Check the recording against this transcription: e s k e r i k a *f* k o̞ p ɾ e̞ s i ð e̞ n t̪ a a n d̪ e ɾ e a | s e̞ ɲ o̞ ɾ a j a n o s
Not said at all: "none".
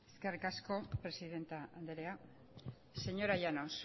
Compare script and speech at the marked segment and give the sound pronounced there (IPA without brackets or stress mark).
s